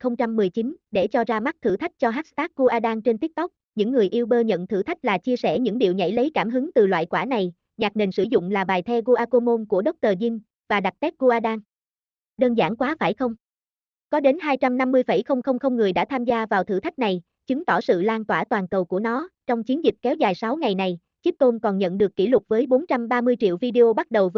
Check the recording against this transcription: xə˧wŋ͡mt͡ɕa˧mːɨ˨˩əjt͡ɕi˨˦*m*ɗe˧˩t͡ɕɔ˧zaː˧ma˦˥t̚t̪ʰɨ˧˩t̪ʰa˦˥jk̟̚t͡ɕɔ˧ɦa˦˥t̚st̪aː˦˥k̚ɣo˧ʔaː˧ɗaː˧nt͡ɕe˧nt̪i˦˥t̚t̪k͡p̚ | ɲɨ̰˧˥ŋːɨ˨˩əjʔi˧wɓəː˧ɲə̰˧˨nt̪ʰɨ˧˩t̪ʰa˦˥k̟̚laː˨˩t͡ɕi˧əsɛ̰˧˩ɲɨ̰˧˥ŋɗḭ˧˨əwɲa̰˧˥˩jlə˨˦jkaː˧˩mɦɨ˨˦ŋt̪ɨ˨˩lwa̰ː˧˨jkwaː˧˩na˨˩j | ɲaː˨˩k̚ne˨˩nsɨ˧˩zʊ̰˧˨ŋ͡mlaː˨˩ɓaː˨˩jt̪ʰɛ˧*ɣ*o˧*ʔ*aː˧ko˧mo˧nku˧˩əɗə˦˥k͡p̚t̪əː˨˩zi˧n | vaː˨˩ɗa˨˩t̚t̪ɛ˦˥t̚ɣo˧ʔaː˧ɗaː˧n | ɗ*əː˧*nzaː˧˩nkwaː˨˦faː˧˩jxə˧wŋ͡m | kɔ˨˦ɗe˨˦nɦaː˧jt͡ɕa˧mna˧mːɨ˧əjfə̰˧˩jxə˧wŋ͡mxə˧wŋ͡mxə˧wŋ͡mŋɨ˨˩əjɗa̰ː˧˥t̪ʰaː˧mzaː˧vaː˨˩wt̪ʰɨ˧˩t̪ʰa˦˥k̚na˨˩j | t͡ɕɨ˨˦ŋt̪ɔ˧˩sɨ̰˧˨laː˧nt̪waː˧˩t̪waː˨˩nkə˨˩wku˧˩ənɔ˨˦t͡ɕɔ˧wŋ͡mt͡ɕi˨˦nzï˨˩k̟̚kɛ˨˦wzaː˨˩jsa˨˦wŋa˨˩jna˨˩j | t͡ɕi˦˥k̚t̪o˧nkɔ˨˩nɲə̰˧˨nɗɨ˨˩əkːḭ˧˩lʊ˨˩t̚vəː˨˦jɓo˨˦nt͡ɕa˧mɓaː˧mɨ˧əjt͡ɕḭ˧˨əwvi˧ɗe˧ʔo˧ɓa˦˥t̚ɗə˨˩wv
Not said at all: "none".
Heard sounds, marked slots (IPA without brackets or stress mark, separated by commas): n, ɣ, ʔ, əː˧